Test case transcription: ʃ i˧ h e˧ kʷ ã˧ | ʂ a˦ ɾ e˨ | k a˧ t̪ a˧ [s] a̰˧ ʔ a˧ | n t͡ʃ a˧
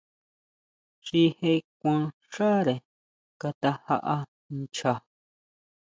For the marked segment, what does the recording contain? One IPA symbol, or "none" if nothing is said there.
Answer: h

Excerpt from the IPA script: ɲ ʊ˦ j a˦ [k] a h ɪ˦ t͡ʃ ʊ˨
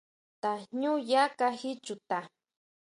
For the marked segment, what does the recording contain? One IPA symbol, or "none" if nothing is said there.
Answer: k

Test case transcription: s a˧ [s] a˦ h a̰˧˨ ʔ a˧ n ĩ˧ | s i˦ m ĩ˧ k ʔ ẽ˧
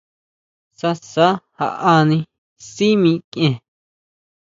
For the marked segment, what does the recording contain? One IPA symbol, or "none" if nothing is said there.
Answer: s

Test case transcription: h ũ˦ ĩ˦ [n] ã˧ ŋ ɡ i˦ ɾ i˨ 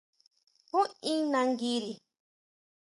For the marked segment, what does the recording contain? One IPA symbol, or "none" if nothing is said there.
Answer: n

